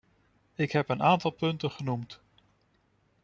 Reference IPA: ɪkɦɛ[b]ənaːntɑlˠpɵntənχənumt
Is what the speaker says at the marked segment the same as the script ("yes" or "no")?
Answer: no